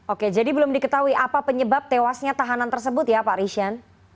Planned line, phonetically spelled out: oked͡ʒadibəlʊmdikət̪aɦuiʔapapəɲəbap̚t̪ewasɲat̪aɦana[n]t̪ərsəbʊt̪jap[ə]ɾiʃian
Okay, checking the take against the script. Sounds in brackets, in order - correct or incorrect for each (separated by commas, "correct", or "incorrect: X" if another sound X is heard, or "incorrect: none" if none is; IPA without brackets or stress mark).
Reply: correct, incorrect: a